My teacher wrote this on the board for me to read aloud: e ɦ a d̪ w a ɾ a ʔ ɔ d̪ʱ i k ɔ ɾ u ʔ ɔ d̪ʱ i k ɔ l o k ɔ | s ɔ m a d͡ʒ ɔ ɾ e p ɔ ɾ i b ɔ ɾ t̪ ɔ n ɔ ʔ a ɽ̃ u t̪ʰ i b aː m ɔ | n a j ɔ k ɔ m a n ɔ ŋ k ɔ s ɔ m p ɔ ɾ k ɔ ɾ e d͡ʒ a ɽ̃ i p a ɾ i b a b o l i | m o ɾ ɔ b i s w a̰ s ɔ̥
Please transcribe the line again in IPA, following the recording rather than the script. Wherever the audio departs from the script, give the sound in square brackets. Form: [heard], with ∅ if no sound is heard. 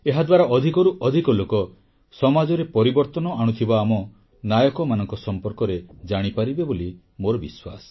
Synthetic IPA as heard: e ɦ a d̪ w a ɾ a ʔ ɔ d̪ʱ i k ɔ ɾ u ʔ ɔ d̪ʱ i k ɔ l o k ɔ | s ɔ m a d͡ʒ ɔ ɾ e p ɔ ɾ i b ɔ ɾ t̪ ɔ n ɔ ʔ a ɽ̃ u t̪ʰ i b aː m ɔ | n a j ɔ k ɔ m a n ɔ ŋ k ɔ s ɔ m p ɔ ɾ k ɔ ɾ e d͡ʒ a ɽ̃ i p a ɾ i b [e] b o l i | m o ɾ ɔ b i s w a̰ s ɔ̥